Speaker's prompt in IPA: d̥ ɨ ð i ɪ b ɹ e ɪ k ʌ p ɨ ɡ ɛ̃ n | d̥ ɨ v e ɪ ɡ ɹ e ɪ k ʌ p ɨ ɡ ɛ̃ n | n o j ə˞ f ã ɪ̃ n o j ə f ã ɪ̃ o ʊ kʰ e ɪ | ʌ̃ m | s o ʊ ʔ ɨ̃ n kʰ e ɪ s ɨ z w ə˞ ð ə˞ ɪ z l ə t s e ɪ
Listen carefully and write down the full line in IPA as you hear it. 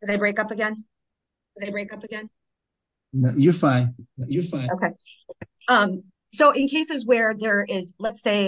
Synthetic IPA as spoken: d̥ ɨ ð e ɪ b ɹ e ɪ k ʌ p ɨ ɡ ɛ̃ n | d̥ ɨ ð e ɪ b ɹ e ɪ k ʌ p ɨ ɡ ɛ̃ n | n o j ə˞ f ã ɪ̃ n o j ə f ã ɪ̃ o ʊ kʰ e ɪ | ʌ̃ m | s o ʊ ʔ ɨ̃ n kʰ e ɪ s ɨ z w ə˞ ð ə˞ ɪ z l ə t s e ɪ